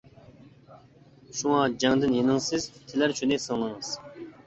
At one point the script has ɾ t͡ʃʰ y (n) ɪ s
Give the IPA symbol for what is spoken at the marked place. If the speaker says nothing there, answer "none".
n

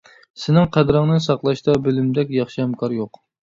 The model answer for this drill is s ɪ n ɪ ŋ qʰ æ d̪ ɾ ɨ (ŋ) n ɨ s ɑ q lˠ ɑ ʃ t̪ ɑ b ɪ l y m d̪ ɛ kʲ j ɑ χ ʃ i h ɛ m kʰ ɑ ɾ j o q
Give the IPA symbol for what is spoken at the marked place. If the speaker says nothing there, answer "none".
ŋ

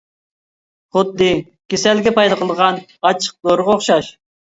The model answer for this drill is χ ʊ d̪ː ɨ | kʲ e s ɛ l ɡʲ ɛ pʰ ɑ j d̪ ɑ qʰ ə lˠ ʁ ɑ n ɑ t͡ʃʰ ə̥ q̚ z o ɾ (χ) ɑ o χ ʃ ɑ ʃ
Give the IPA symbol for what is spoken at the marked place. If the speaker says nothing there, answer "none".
ʁ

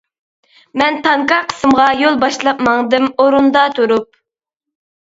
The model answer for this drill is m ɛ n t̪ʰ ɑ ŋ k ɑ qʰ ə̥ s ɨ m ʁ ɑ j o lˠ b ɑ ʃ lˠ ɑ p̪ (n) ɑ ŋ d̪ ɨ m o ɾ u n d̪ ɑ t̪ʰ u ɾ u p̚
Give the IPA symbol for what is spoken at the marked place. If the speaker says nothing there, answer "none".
m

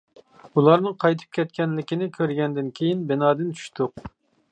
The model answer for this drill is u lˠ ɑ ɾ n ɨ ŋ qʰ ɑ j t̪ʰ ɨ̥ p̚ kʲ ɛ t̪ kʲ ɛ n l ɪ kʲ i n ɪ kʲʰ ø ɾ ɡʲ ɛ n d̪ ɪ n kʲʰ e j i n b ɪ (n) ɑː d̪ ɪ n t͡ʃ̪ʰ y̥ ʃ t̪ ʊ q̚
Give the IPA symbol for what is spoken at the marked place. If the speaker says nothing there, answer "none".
n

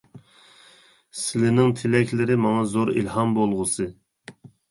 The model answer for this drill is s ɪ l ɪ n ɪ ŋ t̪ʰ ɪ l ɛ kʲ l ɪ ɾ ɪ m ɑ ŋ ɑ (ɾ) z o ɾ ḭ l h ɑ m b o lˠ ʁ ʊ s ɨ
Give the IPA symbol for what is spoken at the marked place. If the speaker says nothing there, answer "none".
none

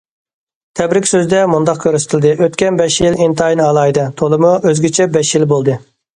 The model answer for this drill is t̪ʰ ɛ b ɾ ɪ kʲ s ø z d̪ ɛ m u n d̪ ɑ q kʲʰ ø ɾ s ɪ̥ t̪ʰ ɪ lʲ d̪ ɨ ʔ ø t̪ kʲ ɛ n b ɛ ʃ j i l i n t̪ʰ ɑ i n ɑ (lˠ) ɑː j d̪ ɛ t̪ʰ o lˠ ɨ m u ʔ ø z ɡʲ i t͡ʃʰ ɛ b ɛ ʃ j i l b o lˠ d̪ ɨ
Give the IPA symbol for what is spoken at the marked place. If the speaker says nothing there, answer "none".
lˠ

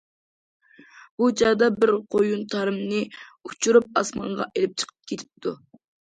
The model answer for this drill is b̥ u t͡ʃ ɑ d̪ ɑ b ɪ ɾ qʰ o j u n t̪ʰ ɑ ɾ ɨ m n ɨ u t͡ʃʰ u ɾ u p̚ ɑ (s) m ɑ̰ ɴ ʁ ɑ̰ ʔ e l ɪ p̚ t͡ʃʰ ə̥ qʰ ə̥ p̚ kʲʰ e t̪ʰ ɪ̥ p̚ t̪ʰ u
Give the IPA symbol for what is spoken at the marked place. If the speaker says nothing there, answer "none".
s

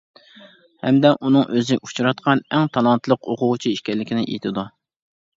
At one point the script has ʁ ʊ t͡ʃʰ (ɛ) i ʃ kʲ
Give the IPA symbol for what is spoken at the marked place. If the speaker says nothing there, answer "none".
i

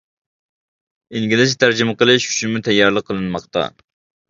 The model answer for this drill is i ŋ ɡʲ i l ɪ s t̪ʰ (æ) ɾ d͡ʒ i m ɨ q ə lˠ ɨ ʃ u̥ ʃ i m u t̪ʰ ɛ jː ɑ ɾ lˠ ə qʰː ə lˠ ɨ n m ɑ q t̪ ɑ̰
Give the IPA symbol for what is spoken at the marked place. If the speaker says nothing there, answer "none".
æ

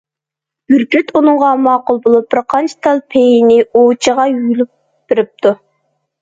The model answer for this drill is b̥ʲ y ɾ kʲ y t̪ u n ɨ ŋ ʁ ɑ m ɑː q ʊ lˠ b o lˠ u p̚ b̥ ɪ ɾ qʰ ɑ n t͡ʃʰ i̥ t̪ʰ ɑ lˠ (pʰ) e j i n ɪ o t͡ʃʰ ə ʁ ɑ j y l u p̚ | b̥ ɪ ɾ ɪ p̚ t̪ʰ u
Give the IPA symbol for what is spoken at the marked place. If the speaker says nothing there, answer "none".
pʰ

